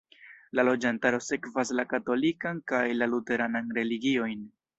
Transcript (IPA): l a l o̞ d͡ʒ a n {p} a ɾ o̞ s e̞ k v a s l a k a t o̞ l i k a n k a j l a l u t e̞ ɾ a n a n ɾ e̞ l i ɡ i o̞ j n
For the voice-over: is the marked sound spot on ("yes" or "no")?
no